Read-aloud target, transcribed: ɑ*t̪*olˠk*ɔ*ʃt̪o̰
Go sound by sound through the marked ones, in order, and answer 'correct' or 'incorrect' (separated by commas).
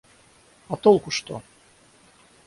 correct, incorrect